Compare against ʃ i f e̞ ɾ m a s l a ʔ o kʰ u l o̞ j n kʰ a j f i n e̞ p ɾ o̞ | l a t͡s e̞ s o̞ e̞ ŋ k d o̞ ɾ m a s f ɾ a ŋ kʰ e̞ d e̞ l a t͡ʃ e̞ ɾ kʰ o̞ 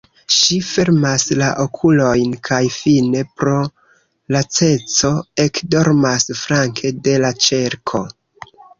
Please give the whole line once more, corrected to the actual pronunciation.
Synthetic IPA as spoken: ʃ i f e̞ ɾ m a s l a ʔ o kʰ u l o̞ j n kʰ a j f i n e̞ p ɾ o̞ | l a t͡s e̞ t͡s o̞ e̞ k d o̞ ɾ m a s f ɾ a ŋ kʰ e̞ d e̞ l a t͡ʃ e̞ ɾ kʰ o̞